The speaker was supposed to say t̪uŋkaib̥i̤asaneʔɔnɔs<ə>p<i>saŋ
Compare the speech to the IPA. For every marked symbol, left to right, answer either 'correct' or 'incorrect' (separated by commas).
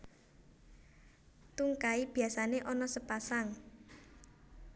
correct, incorrect